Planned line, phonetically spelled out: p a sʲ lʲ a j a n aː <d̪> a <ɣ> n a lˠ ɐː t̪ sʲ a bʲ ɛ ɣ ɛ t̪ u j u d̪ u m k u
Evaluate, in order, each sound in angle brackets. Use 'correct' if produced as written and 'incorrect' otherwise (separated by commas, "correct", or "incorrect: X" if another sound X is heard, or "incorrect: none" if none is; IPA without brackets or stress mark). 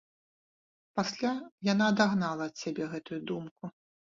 correct, correct